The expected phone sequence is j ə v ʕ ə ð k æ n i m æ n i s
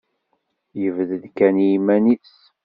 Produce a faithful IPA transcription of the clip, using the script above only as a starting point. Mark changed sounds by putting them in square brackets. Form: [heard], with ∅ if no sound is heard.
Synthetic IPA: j ə v [ð] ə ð k æ n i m æ n i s

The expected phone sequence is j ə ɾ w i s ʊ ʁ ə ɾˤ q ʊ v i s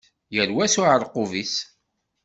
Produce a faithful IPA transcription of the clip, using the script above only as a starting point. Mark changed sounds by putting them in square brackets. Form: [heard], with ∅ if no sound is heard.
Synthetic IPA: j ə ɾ w [æ] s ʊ [ʕ] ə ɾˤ q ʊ v i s

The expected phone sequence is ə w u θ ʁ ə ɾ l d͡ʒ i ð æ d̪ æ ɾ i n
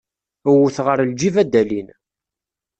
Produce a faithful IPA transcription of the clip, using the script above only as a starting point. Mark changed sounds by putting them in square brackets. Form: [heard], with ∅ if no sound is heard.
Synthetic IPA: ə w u θ ʁ ə ɾ l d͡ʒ i [v] æ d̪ æ [l] i n

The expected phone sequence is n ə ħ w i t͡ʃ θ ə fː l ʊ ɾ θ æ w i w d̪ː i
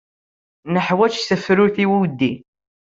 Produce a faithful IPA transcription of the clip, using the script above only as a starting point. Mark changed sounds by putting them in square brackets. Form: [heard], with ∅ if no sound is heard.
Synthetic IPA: n ə ħ w [æ] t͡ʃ [s] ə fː [ɾ] ʊ ɾ θ [i] w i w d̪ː i

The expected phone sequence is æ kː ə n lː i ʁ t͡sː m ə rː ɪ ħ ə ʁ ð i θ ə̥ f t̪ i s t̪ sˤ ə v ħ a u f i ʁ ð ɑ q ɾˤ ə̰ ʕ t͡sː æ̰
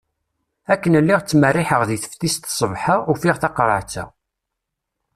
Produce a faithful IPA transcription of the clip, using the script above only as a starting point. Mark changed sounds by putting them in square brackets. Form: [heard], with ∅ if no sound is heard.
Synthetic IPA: æ kː ə n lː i ʁ t͡sː m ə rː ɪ ħ ə ʁ ð i θ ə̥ f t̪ i s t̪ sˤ ə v ħ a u f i ʁ [θ] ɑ q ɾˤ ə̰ ʕ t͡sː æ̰

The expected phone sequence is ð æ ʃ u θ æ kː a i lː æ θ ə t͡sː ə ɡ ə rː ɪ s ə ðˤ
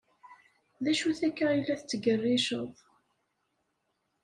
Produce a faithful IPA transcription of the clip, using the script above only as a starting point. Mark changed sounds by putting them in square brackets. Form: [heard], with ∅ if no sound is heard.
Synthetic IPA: ð æ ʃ u θ æ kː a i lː æ θ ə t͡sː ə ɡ ə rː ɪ [ʃ] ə ðˤ

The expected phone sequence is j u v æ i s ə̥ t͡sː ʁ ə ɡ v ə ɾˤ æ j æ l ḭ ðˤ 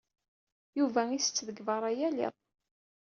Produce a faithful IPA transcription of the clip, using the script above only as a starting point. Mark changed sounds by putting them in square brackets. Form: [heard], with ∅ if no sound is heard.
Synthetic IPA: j u v æ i s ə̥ t͡sː [ð] ə ɡ v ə ɾˤ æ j æ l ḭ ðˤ

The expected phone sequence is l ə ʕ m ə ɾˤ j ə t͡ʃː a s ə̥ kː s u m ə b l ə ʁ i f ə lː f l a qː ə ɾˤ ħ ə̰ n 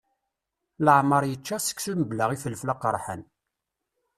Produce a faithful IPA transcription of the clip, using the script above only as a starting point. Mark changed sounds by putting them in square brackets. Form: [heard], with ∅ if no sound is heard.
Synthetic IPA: l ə ʕ m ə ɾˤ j ə t͡ʃː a s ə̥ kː s u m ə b l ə ʁ i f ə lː f l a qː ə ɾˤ ħ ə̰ n

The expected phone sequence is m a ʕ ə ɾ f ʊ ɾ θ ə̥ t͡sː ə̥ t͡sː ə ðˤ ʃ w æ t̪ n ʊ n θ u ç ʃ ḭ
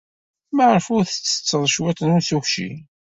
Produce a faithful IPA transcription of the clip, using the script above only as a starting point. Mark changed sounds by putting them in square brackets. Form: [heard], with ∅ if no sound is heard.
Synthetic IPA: m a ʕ ə ɾ f ʊ ɾ θ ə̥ t͡sː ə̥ t͡sː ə ðˤ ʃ w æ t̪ n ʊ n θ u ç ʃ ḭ

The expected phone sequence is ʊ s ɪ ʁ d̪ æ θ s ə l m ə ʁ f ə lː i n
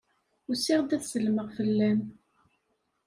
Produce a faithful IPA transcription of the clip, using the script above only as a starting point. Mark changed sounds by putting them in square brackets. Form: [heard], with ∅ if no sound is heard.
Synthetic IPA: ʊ s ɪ ʁ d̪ æ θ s ə l m ə ʁ f ə lː [æ] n

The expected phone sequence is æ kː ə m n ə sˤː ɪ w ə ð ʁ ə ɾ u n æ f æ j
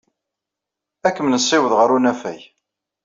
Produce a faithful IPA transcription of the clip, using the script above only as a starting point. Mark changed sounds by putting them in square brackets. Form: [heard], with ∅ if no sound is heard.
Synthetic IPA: æ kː ə m n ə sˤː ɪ w ə ð ʁ ə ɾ u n æ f æ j

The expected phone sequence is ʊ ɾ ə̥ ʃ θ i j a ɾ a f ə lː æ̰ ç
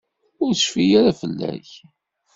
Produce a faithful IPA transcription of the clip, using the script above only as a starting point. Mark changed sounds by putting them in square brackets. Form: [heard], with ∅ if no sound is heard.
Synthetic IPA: ʊ ɾ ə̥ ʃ [f] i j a ɾ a f ə lː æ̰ ç

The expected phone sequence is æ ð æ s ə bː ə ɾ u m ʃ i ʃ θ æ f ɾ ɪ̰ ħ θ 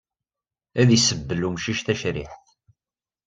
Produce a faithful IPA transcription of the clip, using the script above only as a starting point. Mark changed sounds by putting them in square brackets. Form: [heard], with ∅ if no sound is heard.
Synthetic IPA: æ ð [i] s ə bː ə [l] u m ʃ i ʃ θ æ [ʃ] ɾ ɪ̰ ħ θ

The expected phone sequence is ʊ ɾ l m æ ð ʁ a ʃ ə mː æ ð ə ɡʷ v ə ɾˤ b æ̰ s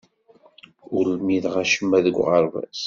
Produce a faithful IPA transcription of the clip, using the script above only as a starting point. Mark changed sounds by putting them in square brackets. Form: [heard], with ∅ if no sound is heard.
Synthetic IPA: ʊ ɾ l m [i] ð ʁ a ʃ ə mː æ ð ə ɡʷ [ʁ] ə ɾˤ [v] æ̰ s

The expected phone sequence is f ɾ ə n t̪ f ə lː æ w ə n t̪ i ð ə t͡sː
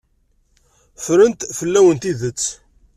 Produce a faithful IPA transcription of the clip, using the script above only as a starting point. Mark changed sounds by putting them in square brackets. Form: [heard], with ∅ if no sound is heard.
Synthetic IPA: f ɾ ə n t̪ f ə lː æ w ə n t̪ i ð ə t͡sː

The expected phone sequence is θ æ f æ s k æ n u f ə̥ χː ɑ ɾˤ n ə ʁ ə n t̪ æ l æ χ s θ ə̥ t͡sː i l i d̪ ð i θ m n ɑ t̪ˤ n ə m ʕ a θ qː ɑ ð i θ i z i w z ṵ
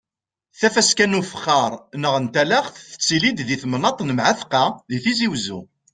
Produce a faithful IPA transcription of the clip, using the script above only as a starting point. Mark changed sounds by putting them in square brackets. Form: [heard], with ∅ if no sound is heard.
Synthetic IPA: θ æ f æ s k æ n u f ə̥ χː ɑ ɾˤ n ə ʁ ə n t̪ æ l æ χ [θ] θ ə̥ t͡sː i l i d̪ ð i θ m n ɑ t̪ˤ n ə m ʕ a θ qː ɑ ð i θ i z i w z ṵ

